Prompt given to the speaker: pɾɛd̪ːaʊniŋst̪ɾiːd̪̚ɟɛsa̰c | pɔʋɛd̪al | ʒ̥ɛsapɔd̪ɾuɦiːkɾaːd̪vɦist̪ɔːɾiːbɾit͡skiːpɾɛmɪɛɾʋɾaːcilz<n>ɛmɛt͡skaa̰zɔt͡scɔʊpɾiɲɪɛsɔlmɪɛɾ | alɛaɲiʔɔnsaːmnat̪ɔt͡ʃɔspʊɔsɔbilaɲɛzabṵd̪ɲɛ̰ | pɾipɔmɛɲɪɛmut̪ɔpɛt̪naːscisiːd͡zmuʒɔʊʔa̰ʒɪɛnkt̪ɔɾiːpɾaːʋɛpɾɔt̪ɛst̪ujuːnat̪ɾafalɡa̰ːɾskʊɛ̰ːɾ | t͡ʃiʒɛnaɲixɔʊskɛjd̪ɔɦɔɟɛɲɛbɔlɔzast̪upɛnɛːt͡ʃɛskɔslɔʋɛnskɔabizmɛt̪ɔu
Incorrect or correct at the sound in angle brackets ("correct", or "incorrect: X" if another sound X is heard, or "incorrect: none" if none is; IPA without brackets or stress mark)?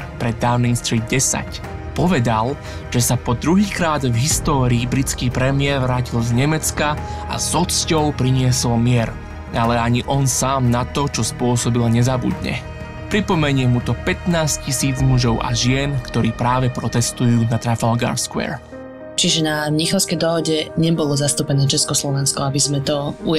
incorrect: ɲ